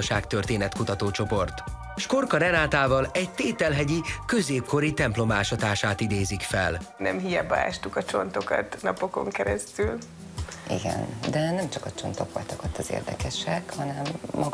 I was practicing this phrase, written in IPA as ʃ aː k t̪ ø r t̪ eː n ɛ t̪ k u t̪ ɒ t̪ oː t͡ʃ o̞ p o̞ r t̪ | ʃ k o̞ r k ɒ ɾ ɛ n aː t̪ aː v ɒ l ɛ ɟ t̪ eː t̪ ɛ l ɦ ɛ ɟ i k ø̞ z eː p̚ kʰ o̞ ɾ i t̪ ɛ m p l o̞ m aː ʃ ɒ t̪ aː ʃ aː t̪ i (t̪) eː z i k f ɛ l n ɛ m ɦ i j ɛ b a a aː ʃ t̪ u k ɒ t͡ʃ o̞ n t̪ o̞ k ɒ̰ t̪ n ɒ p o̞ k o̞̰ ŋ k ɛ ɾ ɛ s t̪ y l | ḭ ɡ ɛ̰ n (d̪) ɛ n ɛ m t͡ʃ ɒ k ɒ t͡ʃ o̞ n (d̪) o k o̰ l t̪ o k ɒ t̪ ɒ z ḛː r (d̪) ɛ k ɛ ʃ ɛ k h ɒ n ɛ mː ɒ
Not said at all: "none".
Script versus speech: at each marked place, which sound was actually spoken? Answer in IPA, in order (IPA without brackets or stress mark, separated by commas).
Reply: d̪, d̪, t̪, d̪